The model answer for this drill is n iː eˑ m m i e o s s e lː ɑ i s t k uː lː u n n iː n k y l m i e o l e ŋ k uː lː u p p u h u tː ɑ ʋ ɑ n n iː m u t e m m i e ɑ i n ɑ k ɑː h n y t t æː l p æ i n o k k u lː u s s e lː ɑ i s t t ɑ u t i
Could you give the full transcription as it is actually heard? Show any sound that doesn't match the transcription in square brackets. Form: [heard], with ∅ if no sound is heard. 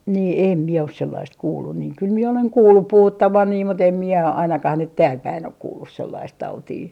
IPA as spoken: n iː eˑ m m i e o s s e lː ɑ i s t k uː lː u n n iː [ŋ] k y l m i e o l e ŋ k uː lː u p p u h u tː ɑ ʋ ɑ n n iː m u t e m m i e ɑ i n ɑ k [ɑ] h n y t t æː l p æ i n o k k [uː] lː u s s e lː ɑ i s t t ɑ u t [iː]